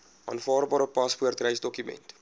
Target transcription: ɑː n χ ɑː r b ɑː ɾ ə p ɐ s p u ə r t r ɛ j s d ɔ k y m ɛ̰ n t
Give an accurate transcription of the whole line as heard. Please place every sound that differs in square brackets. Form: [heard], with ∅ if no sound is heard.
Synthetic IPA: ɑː n [f] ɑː r b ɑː ɾ ə p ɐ s p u ə r t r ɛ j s d ɔ k y m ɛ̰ n t